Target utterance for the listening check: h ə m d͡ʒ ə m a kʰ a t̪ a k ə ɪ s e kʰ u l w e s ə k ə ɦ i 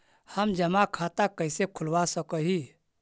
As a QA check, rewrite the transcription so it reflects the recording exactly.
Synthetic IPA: h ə m d͡ʒ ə m a kʰ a t̪ a k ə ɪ s e kʰ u l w a s ə k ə ɦ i